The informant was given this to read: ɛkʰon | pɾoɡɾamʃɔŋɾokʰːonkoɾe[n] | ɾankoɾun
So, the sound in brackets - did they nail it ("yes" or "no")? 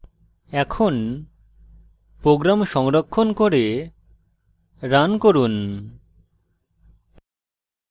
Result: no